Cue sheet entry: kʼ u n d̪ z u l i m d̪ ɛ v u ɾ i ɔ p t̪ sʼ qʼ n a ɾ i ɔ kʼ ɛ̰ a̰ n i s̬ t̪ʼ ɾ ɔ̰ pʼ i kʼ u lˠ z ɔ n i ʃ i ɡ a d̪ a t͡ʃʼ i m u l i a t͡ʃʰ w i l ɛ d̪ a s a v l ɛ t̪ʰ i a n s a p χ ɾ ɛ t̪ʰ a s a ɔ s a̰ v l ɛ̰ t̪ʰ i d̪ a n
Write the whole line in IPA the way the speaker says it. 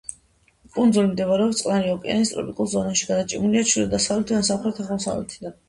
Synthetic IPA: kʼ u n d̪ z u l i m d̪ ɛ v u ɾ ɛ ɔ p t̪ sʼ qʼ n a ɾ i ɔ kʼ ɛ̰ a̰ n i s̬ t̪ʼ ɾ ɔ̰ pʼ i kʼ u lˠ z ɔ n a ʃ i ɡ a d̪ a t͡ʃʼ i m u l i a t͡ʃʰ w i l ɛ d̪ a s a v l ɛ t̪ʰ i a n s a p χ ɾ ɛ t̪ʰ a χ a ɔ s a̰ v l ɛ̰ t̪ʰ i d̪ a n